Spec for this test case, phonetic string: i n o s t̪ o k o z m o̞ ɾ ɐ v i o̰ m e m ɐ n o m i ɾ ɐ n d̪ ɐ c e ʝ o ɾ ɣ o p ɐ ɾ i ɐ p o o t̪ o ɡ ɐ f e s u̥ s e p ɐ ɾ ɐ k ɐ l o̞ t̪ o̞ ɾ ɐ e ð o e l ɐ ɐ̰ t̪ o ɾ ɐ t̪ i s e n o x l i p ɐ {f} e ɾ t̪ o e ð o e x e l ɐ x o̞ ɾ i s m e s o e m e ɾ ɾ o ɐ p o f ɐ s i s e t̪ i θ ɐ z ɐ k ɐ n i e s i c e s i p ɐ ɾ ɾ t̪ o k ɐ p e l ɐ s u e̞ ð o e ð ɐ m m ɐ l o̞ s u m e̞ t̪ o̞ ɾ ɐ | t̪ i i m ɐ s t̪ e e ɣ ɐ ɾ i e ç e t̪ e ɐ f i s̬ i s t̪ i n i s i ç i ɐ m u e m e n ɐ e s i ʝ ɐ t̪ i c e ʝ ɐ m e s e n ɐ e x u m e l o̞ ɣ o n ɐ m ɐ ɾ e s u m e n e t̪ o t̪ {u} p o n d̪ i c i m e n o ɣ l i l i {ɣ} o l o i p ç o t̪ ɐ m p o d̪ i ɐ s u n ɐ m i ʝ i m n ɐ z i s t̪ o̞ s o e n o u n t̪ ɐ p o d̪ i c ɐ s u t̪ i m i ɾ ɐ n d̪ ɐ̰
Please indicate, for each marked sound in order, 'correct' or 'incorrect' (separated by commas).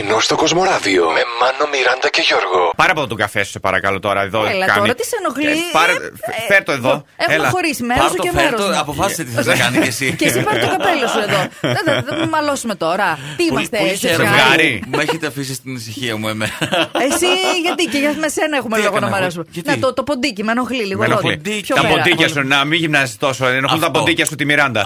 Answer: correct, incorrect, correct